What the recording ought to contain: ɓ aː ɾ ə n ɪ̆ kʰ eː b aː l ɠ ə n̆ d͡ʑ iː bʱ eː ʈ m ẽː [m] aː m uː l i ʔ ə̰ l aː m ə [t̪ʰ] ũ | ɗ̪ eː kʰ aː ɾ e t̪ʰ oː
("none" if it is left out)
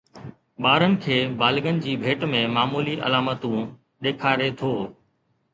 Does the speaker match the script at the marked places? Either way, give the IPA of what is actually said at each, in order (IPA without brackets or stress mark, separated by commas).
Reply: m, t̪